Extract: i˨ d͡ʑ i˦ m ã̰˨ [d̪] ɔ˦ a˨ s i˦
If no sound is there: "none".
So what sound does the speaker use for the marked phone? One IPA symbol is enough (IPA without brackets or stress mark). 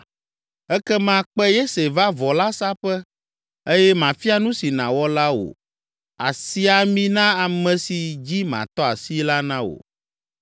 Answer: t̪